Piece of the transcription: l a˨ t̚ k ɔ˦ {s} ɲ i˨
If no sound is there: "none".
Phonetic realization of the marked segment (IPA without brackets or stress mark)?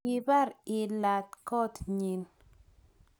t